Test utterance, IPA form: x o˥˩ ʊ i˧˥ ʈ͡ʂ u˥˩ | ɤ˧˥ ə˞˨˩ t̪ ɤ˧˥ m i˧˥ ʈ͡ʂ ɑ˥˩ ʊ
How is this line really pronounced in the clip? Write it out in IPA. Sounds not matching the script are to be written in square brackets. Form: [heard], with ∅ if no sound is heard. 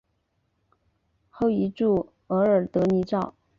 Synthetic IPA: x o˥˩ ʊ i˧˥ ʈ͡ʂ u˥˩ | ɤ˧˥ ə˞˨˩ t̪ ɤ˧˥ [n] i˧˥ ʈ͡ʂ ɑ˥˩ ʊ